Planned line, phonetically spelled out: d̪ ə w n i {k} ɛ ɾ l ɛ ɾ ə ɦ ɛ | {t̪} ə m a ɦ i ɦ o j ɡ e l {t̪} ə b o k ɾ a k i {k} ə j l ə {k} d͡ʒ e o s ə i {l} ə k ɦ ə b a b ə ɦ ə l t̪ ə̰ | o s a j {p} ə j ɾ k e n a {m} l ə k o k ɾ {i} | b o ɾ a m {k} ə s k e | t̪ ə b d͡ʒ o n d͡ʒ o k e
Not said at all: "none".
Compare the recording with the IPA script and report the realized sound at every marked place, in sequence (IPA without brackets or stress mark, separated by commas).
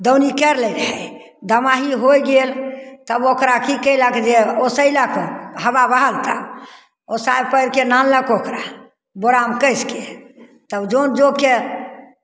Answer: k, d̪, t̪, k, k, l, p, n, a, k